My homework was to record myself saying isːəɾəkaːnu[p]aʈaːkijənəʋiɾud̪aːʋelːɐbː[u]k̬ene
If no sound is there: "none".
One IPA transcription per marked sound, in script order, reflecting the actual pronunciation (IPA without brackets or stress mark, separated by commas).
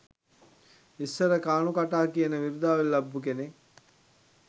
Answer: k, u